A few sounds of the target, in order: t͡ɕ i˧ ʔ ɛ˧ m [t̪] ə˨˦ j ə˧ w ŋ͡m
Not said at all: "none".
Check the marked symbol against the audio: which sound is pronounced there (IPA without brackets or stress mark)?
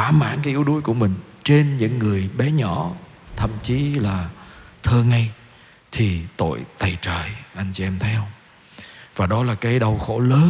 t̪ʰ